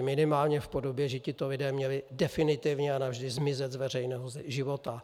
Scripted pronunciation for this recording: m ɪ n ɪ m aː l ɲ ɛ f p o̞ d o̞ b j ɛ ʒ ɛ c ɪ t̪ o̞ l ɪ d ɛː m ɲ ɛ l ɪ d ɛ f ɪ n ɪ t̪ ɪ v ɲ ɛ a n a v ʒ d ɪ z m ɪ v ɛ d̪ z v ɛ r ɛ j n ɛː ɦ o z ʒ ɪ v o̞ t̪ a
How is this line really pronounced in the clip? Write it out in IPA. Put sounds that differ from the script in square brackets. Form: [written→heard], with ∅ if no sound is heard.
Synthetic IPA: m ɪ n ɪ m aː l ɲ ɛ f p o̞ d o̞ b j ɛ ʒ ɛ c ɪ t̪ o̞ l ɪ d ɛː m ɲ ɛ l ɪ d ɛ f ɪ n ɪ t̪ ɪ v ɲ ɛ a n a v ʒ d ɪ z m ɪ [v→z] ɛ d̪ z v ɛ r ɛ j n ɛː ɦ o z ʒ ɪ v o̞ t̪ a